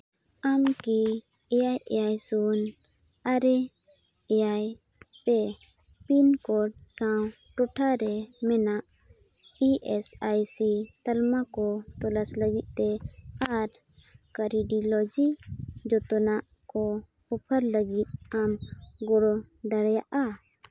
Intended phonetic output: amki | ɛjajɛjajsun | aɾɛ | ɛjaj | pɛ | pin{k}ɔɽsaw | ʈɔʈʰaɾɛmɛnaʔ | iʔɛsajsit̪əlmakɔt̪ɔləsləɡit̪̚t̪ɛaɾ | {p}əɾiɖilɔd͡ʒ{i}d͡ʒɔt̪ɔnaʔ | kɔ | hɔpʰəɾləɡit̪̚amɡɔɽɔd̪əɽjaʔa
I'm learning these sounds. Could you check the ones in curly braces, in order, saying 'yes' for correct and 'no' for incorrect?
yes, no, yes

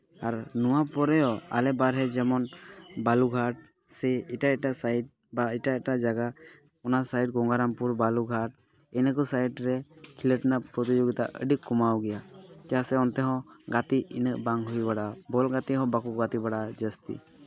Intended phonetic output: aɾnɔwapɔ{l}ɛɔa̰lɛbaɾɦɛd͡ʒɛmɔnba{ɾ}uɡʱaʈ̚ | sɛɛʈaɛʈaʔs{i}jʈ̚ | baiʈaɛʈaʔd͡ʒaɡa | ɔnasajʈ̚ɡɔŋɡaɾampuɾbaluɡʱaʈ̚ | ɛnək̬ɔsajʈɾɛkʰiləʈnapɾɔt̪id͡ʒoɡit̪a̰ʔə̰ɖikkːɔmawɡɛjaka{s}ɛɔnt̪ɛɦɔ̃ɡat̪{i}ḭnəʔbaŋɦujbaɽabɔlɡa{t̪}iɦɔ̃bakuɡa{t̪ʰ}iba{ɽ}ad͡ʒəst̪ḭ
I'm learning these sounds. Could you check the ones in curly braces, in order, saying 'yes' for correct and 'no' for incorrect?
no, no, no, yes, yes, yes, no, yes

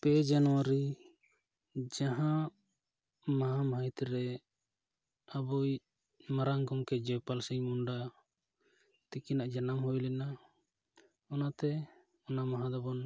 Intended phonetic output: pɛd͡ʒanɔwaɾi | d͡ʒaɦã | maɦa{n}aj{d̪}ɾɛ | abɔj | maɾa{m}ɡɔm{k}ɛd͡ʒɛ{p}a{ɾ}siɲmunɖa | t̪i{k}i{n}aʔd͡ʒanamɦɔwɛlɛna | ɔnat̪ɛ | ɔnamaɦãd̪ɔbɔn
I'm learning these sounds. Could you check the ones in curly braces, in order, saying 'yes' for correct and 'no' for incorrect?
no, no, no, yes, yes, no, yes, yes

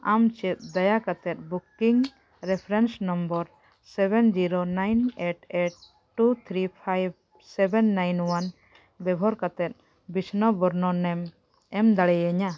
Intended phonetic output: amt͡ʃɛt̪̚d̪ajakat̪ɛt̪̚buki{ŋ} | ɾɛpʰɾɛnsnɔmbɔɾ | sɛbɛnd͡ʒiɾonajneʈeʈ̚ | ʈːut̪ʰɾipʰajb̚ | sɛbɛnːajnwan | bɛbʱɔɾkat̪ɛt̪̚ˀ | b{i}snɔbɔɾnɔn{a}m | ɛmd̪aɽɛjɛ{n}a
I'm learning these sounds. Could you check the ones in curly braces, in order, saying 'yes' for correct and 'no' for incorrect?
yes, yes, no, no

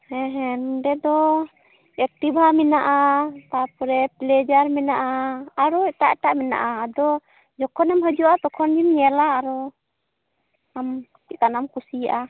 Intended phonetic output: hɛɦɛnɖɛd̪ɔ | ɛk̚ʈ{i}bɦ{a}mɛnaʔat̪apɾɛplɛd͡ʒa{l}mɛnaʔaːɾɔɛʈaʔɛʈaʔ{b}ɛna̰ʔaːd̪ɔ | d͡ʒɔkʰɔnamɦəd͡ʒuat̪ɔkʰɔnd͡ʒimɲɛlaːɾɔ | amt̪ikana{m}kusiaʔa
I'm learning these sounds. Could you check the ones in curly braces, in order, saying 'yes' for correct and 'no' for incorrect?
yes, yes, no, no, yes

